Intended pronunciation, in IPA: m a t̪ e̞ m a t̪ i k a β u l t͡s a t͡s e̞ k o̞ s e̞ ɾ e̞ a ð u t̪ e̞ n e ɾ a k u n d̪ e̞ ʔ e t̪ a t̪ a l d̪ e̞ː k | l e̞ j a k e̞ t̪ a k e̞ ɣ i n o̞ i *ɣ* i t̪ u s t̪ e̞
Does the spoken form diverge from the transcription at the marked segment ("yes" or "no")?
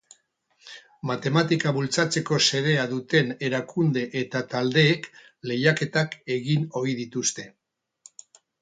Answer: yes